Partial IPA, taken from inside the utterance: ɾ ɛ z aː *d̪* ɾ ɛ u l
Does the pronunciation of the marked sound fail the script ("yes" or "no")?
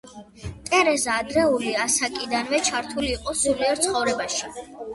no